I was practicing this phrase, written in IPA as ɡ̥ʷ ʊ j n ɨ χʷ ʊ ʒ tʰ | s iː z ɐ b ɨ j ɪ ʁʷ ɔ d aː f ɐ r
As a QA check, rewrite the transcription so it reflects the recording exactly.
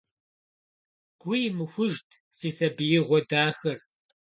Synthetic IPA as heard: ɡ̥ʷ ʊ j m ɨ xʷ ʊ ʒ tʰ | s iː s ɐ b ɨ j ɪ ʁʷ ɔ d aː x ɐ r